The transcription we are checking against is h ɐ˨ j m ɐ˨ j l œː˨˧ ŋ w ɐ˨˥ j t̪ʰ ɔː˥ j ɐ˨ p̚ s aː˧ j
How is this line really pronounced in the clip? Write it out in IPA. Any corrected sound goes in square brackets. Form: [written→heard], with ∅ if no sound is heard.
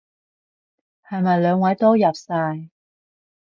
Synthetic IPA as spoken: h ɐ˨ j m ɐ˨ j l œː˨˧ ŋ w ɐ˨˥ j [t̪ʰ→t̪] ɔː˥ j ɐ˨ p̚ s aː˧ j